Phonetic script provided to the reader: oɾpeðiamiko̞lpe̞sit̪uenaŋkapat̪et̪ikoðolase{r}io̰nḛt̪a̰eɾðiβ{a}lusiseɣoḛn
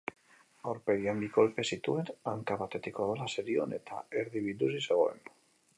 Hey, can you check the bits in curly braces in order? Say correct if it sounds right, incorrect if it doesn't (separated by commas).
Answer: incorrect, incorrect